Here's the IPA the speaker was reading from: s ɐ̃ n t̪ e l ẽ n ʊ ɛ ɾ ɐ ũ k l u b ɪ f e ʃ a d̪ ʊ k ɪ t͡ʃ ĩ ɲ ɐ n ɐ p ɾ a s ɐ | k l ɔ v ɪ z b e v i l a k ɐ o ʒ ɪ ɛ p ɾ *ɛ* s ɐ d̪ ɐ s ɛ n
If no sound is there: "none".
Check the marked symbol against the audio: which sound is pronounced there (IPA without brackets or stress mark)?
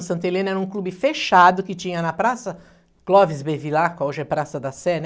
a